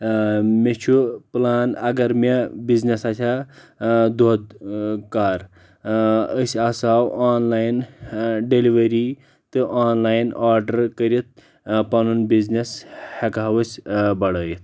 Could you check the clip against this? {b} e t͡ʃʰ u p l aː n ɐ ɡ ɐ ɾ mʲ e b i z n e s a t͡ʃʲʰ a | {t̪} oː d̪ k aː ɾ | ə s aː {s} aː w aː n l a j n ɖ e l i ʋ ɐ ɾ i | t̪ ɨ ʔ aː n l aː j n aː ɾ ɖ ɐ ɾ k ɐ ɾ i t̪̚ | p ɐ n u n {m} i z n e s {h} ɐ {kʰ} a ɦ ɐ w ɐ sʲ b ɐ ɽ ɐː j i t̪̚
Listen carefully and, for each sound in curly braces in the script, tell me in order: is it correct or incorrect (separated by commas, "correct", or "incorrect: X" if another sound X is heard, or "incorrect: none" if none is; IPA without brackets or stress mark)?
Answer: incorrect: m, incorrect: d̪, correct, incorrect: b, correct, incorrect: k